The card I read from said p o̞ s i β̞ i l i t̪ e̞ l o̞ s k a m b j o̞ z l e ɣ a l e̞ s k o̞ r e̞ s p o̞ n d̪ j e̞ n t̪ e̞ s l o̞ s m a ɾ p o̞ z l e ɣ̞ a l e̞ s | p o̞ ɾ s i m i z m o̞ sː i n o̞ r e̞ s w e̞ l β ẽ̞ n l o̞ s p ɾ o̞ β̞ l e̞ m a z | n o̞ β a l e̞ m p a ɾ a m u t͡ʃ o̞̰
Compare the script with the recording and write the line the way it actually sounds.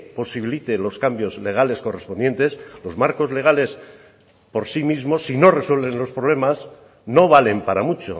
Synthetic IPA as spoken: p o̞ s i β̞ i l i t̪ e̞ l o̞ s k a m b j o̞ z l e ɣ a l e̞ s k o̞ r e̞ s p o̞ n d̪ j e̞ n t̪ e̞ s l o̞ z m a ɾ k o̞ z l e ɣ̞ a l e̞ s | p o̞ ɾ s i m i z m o̞ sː i n o̞ r e̞ s w e̞ l β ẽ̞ n l o̞ s p ɾ o̞ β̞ l e̞ m a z | n o̞ β a l e̞ m p a ɾ a m u t͡ʃ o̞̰